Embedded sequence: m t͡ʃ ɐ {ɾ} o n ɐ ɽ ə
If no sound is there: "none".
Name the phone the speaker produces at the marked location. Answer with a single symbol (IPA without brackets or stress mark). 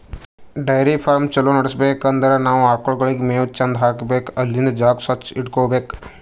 l